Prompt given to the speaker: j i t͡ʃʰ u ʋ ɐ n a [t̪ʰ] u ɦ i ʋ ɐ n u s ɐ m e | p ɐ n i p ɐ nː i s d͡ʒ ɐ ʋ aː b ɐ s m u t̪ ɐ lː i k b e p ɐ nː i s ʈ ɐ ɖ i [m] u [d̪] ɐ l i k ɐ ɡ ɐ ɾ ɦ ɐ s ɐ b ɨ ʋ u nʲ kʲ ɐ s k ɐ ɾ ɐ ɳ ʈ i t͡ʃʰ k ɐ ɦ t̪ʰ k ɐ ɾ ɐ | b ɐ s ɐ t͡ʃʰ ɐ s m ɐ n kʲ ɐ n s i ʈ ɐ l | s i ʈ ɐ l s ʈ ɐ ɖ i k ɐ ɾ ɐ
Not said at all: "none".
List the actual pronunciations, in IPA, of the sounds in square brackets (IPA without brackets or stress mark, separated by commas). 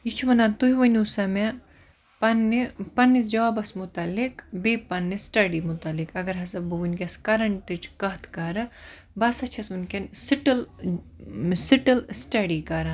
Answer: t̪, m, t̪